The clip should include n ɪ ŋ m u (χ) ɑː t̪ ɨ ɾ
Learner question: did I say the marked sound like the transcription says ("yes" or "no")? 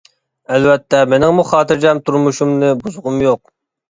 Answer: yes